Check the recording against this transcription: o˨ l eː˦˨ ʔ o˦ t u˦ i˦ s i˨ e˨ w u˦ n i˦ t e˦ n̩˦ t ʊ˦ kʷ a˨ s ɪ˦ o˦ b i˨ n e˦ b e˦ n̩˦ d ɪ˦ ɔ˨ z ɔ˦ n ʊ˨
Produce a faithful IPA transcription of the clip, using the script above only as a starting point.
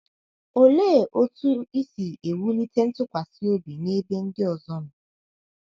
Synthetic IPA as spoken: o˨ l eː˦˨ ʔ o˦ t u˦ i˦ s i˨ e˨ w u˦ n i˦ t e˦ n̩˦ t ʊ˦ kʷ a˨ s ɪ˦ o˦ b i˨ n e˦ b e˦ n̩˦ d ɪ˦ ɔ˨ z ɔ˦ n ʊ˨